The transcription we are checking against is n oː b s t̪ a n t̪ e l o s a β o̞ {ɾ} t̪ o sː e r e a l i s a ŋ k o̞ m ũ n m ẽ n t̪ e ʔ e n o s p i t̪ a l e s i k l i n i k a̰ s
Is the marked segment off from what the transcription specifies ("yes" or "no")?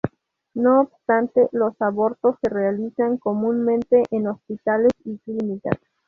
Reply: no